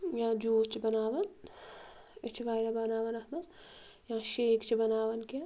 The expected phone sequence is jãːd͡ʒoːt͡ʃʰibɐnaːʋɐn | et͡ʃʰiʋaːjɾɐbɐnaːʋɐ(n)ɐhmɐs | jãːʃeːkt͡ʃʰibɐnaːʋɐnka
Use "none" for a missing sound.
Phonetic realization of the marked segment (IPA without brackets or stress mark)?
n